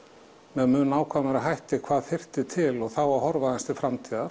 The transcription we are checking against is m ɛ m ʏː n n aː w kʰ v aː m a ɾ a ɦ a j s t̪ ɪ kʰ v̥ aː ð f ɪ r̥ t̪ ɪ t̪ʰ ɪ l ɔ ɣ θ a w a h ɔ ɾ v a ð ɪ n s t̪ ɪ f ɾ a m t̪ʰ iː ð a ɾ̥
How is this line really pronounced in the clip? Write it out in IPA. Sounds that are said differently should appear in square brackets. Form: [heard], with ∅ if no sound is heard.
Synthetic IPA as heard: m ɛ m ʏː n n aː w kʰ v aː m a ɾ a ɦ a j [h] t̪ ɪ kʰ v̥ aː ð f ɪ r̥ t̪ ɪ t̪ʰ ɪ l ɔ ɣ θ a w a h ɔ ɾ v a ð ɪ n s t̪ ɪ f ɾ a m t̪ʰ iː ð a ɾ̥